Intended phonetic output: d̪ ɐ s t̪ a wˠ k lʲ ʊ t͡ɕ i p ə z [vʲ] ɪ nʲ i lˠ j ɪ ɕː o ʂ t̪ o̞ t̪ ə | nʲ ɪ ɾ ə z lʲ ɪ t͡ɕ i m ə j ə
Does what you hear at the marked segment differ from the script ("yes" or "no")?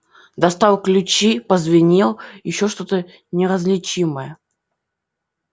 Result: no